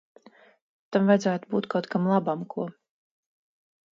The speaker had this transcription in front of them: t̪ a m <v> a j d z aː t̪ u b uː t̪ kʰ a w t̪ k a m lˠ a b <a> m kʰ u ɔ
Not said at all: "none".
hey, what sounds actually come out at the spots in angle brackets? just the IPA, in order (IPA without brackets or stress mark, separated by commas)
v, a